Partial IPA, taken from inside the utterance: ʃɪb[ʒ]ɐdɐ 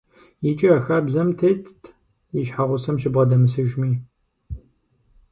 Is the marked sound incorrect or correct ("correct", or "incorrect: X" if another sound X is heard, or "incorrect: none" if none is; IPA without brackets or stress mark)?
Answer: incorrect: ʁ